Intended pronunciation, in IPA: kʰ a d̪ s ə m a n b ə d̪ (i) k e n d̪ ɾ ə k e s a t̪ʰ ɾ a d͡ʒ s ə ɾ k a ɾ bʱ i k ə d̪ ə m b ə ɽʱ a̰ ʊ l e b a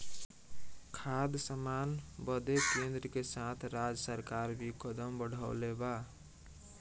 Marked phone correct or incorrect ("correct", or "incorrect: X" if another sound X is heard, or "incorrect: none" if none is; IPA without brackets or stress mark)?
incorrect: e